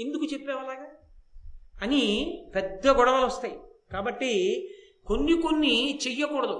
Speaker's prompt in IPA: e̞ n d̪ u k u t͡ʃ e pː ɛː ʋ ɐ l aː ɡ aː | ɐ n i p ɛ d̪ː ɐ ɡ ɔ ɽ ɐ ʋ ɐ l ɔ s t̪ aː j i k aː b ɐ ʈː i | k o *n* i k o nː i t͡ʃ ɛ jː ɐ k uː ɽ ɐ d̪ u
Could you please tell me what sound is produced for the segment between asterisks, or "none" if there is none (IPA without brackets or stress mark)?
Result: nː